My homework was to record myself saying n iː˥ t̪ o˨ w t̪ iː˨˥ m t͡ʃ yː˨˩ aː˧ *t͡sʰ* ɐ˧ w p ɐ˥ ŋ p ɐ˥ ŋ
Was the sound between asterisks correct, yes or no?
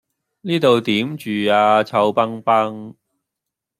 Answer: yes